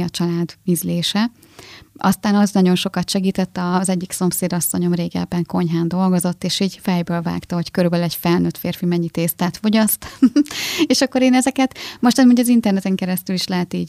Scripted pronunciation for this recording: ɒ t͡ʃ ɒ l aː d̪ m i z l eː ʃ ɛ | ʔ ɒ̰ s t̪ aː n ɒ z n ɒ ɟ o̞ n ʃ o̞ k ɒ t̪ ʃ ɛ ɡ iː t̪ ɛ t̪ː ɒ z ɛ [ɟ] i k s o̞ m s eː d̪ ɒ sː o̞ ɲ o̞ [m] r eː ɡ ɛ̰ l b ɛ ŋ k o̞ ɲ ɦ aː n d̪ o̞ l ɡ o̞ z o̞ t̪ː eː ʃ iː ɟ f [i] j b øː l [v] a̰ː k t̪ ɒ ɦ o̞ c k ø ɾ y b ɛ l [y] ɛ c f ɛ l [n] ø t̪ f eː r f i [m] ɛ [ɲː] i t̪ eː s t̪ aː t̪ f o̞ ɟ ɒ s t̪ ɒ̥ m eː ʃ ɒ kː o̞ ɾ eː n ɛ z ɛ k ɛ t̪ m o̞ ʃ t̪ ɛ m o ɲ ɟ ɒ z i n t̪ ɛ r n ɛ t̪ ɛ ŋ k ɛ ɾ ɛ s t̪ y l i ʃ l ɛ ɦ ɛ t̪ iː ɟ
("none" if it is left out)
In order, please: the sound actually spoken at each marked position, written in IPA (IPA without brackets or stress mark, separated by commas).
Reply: ɟː, m, ɛ, v, y, n, m, ɲː